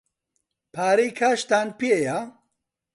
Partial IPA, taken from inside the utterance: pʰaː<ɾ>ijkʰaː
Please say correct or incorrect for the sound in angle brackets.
correct